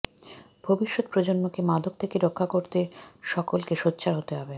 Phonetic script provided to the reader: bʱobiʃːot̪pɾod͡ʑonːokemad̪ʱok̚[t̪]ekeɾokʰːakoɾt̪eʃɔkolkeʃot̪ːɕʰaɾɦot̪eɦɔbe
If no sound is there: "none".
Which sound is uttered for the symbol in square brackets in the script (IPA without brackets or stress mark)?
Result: t̪ʰ